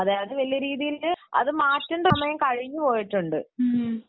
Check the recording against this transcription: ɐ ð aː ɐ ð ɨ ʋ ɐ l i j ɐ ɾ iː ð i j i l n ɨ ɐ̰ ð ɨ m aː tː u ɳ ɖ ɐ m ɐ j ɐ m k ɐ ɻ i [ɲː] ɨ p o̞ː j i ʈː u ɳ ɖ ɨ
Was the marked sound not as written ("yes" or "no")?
no